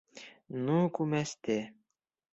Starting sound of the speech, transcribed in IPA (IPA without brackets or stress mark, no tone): n